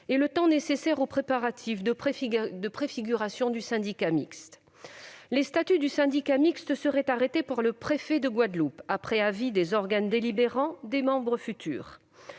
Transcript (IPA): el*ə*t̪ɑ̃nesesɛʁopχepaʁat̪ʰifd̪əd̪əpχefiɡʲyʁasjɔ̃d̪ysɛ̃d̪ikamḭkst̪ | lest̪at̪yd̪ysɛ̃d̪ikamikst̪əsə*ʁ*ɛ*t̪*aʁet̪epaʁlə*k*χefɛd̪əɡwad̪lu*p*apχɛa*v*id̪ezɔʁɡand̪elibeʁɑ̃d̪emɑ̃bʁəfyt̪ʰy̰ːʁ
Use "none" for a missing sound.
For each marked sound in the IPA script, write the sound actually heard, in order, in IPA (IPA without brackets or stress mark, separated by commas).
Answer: ə, ʁ, t̪, p, p, v